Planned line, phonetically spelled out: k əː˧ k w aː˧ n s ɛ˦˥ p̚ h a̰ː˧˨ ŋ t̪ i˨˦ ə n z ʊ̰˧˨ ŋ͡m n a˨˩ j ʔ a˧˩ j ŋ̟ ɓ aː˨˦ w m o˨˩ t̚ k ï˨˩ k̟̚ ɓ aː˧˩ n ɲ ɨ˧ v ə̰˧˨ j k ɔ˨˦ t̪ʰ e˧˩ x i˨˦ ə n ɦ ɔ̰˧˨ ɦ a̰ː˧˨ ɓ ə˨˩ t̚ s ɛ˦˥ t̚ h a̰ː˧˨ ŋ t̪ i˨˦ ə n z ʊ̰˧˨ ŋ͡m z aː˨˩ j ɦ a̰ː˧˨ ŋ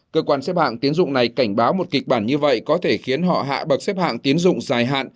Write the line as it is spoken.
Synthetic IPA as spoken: k əː˧ k w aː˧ n s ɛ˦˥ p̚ h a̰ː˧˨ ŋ t̪ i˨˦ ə n z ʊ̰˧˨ ŋ͡m n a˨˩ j k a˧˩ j ŋ̟ ɓ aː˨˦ w m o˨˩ t̚ k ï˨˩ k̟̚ ɓ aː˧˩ n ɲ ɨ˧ v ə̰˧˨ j k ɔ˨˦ t̪ʰ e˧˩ x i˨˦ ə n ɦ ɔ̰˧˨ ɦ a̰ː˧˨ ɓ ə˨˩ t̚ s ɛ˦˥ p̚ h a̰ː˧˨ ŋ t̪ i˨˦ ə n z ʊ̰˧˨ ŋ͡m z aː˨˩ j ɦ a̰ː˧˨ n